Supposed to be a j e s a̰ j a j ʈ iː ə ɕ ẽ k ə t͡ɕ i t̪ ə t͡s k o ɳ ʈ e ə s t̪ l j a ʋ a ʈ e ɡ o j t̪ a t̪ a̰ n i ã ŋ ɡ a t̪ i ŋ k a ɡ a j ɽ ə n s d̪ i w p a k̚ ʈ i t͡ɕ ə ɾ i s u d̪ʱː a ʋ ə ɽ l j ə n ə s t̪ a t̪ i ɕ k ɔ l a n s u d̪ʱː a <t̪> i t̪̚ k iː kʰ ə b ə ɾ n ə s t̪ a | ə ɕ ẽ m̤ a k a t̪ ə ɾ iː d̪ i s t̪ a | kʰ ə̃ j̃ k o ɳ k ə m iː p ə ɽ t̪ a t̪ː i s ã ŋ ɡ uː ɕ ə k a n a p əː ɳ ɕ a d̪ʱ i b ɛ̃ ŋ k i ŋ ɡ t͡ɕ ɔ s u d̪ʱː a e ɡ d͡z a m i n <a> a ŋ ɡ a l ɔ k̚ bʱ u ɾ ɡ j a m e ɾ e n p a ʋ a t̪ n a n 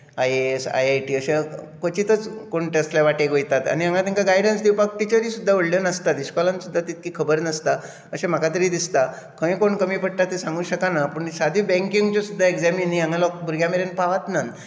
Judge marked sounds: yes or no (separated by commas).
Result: yes, no